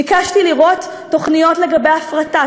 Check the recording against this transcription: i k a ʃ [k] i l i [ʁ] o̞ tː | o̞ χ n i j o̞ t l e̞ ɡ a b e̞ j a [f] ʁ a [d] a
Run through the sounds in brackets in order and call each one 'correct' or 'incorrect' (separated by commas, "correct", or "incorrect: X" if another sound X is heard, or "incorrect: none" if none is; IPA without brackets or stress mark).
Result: incorrect: t, correct, correct, incorrect: t